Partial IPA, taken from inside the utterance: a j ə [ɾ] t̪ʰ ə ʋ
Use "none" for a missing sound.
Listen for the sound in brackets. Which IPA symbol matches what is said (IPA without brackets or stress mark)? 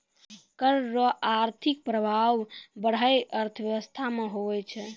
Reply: ɾ